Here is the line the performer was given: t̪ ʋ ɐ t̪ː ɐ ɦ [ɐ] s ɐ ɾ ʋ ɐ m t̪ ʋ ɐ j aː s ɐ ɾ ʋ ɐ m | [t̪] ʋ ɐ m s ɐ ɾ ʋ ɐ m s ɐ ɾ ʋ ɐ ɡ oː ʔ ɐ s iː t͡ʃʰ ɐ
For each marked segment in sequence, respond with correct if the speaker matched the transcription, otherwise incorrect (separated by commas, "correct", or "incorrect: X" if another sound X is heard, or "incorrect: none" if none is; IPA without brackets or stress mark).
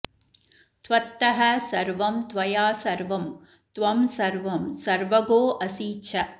correct, correct